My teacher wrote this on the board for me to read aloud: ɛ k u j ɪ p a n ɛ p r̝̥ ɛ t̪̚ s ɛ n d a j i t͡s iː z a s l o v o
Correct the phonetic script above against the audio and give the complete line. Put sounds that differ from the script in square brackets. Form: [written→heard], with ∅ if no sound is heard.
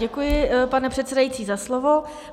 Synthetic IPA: ɛ k u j ɪ p a n ɛ p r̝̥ ɛ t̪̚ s ɛ [n→∅] d a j i t͡s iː z a s l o v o